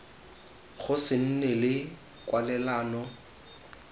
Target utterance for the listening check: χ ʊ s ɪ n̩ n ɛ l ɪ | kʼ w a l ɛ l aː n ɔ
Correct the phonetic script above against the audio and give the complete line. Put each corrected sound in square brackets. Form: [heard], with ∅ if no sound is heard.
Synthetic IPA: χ ʊ s ɪ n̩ n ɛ l ɪ | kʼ w a l ɛ l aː n ɔ